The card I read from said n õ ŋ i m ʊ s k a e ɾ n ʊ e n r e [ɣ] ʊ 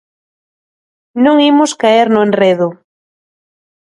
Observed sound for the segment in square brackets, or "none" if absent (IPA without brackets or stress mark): ð